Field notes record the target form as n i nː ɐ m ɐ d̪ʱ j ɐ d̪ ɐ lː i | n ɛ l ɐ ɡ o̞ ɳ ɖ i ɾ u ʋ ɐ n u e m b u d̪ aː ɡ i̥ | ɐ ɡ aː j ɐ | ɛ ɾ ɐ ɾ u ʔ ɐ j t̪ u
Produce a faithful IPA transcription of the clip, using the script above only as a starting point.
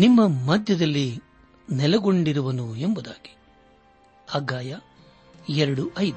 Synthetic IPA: n i mː ɐ m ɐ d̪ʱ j ɐ d̪ ɐ lː i | n ɛ l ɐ ɡ o̞ ɳ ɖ i ɾ u ʋ ɐ n u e m b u d̪ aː ɡ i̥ | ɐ ɡ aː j ɐ | ɛ ɾ ɐ ɽ u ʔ ɐ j d̪ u